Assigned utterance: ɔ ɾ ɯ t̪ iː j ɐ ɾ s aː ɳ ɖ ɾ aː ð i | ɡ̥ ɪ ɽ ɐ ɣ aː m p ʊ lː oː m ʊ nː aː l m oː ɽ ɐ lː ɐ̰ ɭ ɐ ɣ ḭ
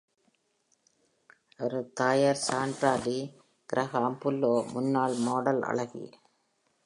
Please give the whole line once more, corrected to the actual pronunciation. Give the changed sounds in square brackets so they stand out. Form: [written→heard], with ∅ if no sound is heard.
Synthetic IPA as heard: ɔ ɾ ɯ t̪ [iː→aː] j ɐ ɾ s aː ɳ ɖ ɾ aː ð i | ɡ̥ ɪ [ɽ→ɾ] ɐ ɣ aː m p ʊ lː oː m ʊ nː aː l m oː ɽ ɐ [lː→l] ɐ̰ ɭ ɐ ɣ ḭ